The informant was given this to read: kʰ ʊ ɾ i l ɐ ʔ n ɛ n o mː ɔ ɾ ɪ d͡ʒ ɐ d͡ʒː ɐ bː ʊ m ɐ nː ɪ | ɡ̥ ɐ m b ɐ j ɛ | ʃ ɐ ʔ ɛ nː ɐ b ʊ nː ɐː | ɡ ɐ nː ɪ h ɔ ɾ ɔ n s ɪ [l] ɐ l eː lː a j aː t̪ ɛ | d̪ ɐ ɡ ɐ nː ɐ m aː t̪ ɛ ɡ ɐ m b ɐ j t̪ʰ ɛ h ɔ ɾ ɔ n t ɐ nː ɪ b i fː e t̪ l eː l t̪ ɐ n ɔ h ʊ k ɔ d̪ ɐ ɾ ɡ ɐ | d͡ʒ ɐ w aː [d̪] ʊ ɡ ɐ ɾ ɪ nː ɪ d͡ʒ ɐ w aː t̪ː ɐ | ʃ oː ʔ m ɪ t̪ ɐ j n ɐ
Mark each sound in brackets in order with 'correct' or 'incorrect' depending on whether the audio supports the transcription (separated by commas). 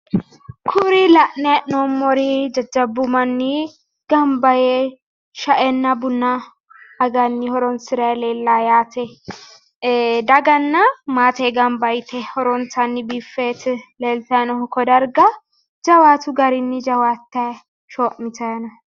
incorrect, incorrect